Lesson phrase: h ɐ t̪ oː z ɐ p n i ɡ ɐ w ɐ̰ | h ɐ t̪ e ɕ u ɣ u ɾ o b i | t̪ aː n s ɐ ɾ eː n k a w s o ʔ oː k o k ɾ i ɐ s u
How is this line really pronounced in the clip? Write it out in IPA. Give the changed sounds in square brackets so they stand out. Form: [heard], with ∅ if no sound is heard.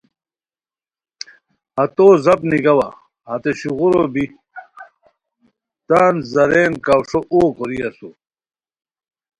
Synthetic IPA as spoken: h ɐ t̪ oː z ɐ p n i ɡ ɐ w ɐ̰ | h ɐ t̪ e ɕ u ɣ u ɾ o b i | t̪ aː n [z] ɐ ɾ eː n k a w [ʂ] o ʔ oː k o [∅] ɾ i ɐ s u